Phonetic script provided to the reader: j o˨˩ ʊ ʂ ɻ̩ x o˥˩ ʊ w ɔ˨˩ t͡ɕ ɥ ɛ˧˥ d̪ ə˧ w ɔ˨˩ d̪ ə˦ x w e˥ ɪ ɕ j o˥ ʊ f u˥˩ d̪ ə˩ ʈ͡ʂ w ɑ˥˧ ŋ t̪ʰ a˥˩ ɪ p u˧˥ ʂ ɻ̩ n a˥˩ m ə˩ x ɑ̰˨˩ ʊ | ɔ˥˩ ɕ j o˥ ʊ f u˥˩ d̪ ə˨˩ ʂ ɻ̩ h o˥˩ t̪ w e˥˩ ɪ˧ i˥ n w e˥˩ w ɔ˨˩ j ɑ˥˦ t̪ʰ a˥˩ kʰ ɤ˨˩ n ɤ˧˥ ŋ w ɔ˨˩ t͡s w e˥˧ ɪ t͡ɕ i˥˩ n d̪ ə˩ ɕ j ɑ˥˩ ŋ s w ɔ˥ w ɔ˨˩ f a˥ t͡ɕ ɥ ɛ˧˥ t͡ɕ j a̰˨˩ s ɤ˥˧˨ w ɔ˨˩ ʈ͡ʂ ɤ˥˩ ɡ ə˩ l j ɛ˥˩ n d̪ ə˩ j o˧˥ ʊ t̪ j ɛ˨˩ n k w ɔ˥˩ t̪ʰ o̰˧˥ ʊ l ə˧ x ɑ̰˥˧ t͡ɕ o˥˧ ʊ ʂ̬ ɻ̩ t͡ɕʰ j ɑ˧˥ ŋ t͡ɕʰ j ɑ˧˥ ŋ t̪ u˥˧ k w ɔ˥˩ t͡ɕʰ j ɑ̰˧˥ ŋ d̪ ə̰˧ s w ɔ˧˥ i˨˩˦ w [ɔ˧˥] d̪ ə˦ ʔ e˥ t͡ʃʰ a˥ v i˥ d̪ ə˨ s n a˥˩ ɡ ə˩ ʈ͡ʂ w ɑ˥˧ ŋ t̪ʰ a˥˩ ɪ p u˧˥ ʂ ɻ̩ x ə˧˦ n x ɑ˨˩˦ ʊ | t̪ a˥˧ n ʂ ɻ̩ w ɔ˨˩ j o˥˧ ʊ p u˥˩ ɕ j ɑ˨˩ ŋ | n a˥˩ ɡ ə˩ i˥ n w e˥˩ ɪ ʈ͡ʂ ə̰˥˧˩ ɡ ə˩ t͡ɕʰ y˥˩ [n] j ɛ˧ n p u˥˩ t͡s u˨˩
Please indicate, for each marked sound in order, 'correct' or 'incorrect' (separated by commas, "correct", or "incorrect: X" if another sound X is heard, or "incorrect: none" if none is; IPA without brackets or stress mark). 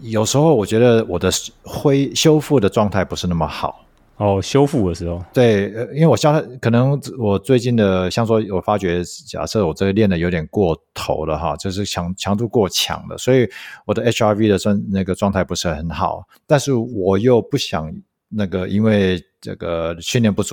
incorrect: ɔ˨˩, correct